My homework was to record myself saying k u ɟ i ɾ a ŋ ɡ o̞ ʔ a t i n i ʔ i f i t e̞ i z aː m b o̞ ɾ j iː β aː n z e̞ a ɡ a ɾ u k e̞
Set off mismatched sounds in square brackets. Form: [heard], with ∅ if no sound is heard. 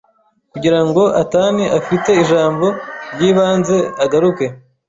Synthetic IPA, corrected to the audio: k u ɟ i ɾ a ŋ ɡ o̞ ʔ a t [a] n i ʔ [a] f i t e̞ i [ʒ] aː m b o̞ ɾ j iː β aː n z e̞ a ɡ a ɾ u k e̞